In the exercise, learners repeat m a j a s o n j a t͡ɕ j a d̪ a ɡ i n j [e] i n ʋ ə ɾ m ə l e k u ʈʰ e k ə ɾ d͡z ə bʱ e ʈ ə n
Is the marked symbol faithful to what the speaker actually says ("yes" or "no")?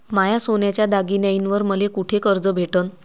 no